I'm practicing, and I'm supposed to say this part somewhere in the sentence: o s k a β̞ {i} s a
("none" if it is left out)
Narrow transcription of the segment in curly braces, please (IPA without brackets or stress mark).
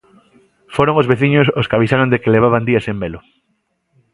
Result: i